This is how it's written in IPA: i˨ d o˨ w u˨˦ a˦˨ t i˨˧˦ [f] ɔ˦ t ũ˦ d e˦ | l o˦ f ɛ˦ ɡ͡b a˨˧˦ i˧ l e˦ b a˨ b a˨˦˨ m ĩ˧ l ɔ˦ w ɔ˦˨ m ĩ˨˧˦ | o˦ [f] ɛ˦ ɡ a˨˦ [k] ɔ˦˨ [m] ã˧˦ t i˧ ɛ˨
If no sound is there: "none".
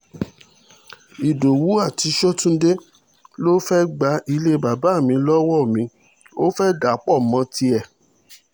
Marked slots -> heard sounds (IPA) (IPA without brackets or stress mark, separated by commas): ʃ, f, k͡p, m